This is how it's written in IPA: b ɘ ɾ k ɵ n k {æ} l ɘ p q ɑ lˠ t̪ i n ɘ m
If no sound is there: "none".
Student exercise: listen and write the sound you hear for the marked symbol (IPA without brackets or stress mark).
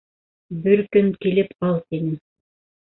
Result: i